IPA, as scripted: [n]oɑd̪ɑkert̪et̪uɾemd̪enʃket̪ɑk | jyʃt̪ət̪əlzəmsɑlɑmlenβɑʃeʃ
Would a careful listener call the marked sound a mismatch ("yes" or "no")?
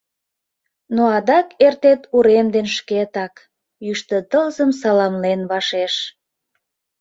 no